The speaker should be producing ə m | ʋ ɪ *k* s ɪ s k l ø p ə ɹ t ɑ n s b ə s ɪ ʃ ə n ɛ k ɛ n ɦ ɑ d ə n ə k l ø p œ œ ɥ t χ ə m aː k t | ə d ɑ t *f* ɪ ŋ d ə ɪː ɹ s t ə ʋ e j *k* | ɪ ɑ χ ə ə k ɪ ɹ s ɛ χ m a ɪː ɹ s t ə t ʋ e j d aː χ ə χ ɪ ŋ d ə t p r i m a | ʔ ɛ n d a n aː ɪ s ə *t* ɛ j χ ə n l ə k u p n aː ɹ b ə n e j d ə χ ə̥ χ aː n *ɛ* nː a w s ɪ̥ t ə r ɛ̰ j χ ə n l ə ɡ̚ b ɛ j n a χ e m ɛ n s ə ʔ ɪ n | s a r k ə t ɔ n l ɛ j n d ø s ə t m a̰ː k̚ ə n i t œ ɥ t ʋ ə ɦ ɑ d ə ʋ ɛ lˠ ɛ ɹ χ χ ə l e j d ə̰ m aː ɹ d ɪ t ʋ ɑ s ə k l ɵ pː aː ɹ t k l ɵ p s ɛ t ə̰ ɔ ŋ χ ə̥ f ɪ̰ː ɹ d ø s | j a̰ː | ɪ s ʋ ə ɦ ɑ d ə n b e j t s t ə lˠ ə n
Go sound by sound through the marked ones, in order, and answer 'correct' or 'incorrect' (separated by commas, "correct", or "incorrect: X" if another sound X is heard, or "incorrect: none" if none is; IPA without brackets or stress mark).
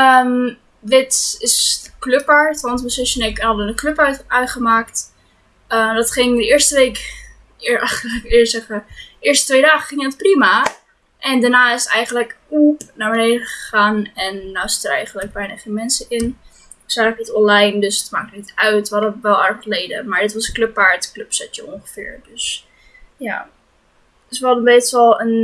incorrect: t, incorrect: χ, correct, correct, correct